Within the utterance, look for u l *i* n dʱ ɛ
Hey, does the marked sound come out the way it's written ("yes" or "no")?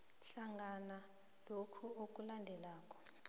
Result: no